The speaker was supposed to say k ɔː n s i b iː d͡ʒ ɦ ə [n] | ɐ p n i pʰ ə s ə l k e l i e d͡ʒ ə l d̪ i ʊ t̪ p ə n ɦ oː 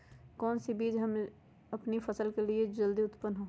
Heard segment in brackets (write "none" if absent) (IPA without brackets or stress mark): m